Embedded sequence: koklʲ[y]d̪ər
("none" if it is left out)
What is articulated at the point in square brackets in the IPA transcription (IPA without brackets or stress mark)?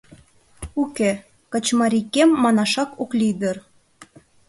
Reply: i